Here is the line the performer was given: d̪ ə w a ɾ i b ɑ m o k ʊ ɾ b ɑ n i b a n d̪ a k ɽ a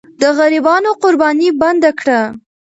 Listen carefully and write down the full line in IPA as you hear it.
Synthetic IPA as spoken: d̪ ə ɣ a ɾ i b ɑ n o q ʊ ɾ b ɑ n i b a n d̪ a k ɽ a